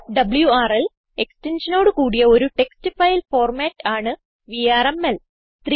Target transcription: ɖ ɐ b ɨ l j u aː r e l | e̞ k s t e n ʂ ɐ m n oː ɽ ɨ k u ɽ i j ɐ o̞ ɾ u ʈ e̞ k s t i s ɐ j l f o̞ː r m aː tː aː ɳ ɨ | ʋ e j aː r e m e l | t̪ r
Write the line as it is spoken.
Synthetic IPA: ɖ ɐ b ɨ l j u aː r e l | e̞ k s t e n ʂ ɐ n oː ɽ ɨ k uː ɽ i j ɐ o̞ ɾ u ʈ e̞ k s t i f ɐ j l f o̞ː r m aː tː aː ɳ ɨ | ʋ i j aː r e m e l | t̪ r